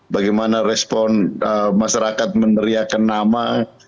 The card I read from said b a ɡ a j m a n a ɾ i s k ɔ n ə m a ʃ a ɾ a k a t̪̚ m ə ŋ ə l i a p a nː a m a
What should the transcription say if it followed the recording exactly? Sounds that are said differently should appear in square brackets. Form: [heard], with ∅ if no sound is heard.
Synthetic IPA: b a ɡ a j m a n a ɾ [ɛ] s [p] ɔ n ə m a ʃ a ɾ a k a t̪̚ m ə [n] ə [ɾ] i a [k] a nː a m a